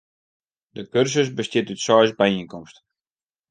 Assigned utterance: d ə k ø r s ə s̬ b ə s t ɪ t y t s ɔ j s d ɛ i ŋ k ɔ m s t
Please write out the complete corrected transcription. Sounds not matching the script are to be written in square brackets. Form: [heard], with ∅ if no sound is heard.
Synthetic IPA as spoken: d ə k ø r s ə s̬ b ə s t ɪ t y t s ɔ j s [b] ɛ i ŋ k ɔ m s t

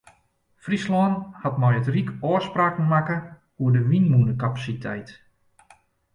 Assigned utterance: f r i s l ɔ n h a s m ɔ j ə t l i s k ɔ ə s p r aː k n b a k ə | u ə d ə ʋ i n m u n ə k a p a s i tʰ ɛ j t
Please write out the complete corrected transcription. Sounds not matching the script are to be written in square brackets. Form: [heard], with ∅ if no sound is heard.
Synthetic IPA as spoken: f r i s l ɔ n h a [t] m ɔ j ə t [r] i [∅] k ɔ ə s p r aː k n [m] a k ə | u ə d ə ʋ i n m u n ə k a p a s i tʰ ɛ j t

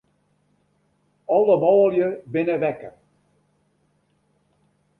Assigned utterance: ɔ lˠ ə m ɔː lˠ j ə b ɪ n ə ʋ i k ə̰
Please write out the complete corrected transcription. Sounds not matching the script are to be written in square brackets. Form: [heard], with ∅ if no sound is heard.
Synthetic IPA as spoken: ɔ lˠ ə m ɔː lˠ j ə b ɪ n ə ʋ [ɛ] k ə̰

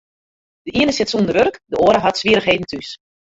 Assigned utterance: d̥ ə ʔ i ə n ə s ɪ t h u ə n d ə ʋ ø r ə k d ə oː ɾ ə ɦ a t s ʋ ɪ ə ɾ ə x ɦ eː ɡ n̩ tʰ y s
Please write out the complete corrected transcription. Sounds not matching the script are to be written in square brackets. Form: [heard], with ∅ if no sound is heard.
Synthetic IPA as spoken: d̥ ə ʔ i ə n ə s ɪ t [s] u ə n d ə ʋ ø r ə k d ə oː ɾ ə ɦ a t s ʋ [i] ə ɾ ə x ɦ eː [d] n̩ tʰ y s

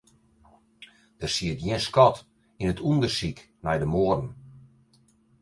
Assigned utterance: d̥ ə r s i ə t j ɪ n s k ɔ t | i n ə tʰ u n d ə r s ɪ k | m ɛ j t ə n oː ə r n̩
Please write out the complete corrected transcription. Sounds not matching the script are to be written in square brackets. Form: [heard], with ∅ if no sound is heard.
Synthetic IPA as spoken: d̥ ə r s i ə t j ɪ n s k ɔ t | i n ə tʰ u n d ə r s [i] k | [n] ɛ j [d] ə [m] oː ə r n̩

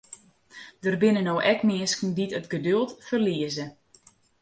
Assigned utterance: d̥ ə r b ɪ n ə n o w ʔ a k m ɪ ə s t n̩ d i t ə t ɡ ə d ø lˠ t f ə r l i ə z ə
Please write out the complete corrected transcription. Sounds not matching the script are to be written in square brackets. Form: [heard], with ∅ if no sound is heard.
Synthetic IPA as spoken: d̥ ə r b ɪ n ə n o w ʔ [ɛ] k m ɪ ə s [k] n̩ d i t ə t ɡ ə d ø lˠ t f ə r l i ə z ə

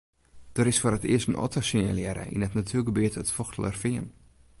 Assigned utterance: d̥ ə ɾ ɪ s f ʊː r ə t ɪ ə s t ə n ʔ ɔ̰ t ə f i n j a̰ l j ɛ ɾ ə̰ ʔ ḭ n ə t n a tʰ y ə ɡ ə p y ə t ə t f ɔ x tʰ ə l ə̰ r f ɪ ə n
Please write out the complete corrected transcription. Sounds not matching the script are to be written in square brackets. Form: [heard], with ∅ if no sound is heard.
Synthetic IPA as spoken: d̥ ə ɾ ɪ s f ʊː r ə t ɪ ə s t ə n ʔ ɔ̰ t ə [s] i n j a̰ l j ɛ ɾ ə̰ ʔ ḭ n ə t n a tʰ y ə ɡ ə [b] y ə t ə t f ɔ x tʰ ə l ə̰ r f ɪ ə n

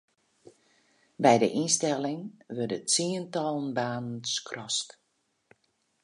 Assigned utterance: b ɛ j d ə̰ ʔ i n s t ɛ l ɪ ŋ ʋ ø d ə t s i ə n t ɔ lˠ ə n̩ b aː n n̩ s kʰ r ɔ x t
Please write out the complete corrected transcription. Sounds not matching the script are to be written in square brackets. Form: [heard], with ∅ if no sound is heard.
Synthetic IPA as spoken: b ɛ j d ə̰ ʔ i n s t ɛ l ɪ ŋ ʋ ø d ə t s i ə n t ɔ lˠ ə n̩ b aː n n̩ s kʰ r ɔ [s] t

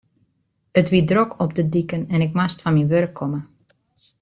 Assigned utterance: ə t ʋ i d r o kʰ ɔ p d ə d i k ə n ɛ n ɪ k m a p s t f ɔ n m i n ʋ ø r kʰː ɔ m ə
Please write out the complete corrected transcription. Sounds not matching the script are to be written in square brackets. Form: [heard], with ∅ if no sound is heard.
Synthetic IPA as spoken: ə t ʋ i d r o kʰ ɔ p d ə d i k ə n ɛ n ɪ k m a [∅] s t f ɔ n m i n ʋ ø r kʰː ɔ m ə

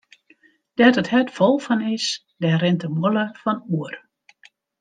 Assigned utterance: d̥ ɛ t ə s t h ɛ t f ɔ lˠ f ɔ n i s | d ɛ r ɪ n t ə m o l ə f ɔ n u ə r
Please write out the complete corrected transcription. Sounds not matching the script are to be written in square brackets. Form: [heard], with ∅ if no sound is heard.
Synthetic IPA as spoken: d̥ ɛ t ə [∅] t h ɛ t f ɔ lˠ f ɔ n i s | d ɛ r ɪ n t ə m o l ə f ɔ n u ə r

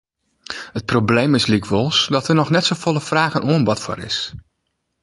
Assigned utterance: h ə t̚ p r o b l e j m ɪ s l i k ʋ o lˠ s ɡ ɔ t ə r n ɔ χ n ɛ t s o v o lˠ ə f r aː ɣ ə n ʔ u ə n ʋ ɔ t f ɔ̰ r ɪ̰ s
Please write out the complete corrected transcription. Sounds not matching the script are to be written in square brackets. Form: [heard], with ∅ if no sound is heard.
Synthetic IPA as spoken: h ə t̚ p r o b l e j m ɪ s l i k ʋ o lˠ s [d] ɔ t ə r n ɔ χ n ɛ t s o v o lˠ ə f r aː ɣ ə n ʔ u ə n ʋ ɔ t f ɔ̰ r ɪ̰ s

